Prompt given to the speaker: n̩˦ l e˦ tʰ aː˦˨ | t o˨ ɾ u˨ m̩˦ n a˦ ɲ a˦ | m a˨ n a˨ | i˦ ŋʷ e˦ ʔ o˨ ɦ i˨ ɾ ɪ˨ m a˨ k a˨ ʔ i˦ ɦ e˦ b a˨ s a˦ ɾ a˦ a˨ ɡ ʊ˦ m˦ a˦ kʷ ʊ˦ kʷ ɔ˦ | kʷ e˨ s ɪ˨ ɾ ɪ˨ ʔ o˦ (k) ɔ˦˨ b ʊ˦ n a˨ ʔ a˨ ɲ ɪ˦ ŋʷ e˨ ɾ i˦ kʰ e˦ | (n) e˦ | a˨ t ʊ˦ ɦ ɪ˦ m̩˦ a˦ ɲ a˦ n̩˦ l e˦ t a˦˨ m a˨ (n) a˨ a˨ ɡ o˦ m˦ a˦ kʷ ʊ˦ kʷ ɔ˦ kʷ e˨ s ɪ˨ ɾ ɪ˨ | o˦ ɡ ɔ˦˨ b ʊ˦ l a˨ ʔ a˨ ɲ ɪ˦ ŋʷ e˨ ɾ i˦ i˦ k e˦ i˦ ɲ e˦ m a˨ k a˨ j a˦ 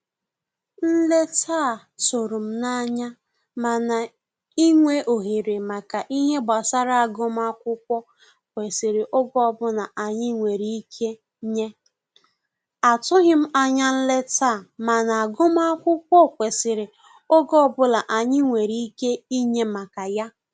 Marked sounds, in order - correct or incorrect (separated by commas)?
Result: incorrect, incorrect, correct